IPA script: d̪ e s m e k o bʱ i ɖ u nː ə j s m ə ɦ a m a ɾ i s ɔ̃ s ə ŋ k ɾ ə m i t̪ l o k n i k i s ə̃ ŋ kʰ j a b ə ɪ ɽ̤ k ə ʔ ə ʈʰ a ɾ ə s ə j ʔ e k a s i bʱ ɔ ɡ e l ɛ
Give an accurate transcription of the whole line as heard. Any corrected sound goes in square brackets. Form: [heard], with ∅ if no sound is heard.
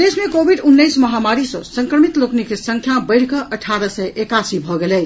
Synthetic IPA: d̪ e s m e k o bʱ i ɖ u nː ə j s m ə ɦ a m a ɾ i s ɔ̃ s ə ŋ k ɾ ə m i t̪ l o k n i k [e] s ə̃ ŋ kʰ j a b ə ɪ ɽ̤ k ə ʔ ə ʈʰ a ɾ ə s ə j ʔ e k a s i bʱ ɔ ɡ e l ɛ